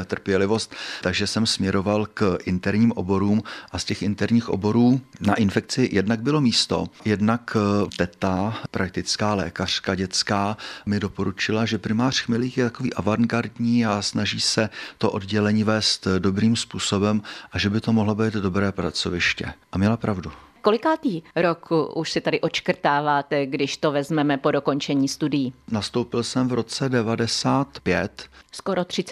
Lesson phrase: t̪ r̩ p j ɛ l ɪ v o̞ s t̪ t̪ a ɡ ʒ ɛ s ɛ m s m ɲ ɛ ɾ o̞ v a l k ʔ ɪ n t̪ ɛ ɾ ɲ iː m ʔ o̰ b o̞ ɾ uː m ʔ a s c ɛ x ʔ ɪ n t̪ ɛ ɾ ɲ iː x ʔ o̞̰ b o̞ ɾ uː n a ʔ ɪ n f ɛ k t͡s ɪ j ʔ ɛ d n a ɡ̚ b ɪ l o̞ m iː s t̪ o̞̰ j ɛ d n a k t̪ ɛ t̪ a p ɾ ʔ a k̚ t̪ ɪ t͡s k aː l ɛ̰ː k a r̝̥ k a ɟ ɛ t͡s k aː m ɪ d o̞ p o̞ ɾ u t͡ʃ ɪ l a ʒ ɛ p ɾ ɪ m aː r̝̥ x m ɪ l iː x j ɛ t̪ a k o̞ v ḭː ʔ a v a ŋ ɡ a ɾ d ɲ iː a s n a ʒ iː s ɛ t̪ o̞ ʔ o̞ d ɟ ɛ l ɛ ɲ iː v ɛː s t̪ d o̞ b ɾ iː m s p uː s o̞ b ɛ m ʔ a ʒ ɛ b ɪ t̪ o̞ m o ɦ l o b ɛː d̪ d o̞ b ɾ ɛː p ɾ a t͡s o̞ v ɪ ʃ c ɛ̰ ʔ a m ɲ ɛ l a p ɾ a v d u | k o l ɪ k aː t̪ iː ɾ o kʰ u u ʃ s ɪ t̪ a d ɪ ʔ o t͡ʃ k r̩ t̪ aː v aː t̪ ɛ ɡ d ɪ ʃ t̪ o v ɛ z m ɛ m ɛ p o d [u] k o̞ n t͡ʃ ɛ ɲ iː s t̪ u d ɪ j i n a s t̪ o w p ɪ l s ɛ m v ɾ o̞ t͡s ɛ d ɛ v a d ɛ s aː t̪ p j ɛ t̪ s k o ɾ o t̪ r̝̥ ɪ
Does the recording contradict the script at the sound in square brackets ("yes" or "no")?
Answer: yes